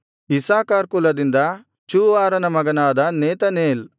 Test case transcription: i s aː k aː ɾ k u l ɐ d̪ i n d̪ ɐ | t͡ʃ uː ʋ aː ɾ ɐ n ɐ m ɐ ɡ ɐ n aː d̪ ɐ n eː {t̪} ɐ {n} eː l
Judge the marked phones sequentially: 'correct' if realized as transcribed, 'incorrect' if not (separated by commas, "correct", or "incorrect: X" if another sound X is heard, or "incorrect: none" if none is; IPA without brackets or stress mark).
correct, correct